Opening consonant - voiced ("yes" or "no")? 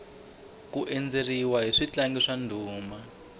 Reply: no